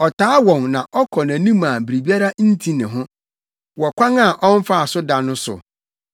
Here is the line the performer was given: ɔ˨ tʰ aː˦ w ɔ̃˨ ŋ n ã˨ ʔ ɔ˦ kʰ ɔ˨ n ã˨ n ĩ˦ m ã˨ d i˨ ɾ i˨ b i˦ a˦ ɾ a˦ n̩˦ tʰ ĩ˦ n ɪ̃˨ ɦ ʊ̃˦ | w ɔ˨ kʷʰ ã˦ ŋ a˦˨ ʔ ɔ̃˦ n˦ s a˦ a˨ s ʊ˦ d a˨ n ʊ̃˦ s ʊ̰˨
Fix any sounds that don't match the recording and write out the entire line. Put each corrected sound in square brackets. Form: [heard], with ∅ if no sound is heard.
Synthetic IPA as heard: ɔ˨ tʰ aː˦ w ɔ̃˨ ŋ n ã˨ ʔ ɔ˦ kʰ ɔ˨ n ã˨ n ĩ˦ m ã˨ [b] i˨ ɾ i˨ b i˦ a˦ ɾ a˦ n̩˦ tʰ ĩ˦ n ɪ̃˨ ɦ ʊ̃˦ | w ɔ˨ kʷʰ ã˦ ŋ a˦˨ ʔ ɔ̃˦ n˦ [f] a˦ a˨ s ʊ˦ d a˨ n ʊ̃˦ s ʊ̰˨